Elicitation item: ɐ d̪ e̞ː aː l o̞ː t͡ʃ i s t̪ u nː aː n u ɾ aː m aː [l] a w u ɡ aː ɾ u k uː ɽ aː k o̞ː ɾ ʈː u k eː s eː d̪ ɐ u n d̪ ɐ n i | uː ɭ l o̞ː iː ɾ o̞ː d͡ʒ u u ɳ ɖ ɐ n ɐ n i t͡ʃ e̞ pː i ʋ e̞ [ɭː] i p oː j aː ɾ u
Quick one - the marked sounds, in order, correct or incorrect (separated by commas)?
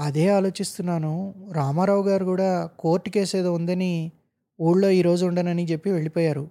incorrect, incorrect